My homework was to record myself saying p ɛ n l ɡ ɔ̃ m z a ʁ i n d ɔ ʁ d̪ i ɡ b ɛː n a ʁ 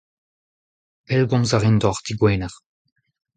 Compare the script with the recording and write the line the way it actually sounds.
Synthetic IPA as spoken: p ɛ l ɡ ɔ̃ m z a ʁ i n d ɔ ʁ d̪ i ɡ w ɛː n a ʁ